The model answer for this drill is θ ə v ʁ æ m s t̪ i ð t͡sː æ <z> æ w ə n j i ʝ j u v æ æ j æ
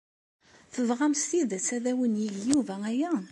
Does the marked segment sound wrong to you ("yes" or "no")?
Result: yes